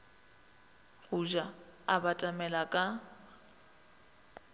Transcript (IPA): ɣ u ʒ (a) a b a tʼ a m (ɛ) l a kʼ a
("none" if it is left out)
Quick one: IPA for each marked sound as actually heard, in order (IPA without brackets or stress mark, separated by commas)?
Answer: a, ɛ